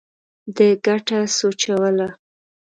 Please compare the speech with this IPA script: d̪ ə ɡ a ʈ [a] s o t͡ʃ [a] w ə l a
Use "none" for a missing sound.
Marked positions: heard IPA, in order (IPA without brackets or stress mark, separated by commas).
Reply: a, a